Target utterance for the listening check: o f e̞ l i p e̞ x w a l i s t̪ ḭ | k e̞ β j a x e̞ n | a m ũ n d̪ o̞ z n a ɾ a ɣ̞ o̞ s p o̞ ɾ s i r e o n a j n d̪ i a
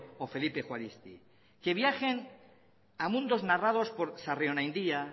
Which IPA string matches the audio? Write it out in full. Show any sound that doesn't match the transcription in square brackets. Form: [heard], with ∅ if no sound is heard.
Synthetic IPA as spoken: o f e̞ l i p e̞ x w a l i s t̪ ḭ | k e̞ β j a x e̞ n | a m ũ n d̪ o̞ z n a [r] a [ð̞] o̞ s p o̞ ɾ s [a] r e o n a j n d̪ i a